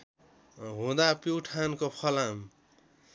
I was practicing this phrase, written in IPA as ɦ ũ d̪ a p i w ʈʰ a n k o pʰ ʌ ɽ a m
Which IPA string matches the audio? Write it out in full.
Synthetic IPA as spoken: ɦ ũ d̪ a p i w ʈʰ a n k o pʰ ʌ l a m